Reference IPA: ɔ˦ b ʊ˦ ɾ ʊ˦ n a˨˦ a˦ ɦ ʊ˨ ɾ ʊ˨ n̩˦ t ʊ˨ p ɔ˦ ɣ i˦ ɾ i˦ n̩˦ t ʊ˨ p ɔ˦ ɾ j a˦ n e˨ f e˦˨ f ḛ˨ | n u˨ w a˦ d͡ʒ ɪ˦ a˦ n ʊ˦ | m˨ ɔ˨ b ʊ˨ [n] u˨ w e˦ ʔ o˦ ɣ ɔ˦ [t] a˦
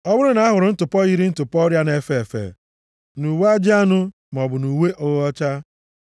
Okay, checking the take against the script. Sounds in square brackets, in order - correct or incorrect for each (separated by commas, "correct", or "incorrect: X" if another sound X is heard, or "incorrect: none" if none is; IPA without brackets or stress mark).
correct, incorrect: t͡ʃ